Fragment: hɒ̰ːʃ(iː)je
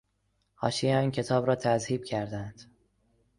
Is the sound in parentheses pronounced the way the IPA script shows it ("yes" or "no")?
no